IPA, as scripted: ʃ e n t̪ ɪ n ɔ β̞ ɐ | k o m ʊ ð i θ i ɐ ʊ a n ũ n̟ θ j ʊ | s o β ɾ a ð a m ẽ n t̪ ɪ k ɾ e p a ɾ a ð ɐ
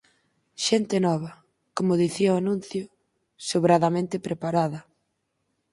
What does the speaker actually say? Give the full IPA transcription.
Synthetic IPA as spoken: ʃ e n t̪ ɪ n ɔ β̞ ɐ | k o m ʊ ð i θ i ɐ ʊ a n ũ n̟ θ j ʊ | s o β ɾ a ð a m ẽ n t̪ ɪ p ɾ e p a ɾ a ð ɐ